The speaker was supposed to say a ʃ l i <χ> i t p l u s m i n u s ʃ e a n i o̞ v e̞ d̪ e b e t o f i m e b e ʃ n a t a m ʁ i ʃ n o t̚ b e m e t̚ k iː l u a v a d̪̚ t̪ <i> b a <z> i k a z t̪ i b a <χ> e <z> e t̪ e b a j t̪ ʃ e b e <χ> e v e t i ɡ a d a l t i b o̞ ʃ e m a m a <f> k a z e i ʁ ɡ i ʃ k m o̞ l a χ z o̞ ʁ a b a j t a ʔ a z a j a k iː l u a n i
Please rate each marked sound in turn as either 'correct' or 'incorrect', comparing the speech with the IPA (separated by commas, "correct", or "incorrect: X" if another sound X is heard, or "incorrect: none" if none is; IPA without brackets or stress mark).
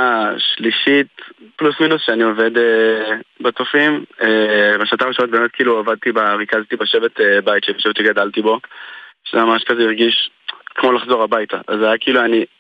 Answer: incorrect: ʃ, correct, incorrect: ʁ, incorrect: ʃ, incorrect: v, incorrect: ʃ, incorrect: ʃ